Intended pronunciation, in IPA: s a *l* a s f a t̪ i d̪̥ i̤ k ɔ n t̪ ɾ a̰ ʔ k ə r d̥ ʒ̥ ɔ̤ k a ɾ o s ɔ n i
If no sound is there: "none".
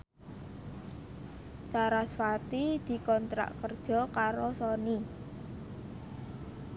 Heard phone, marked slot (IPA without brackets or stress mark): ɾ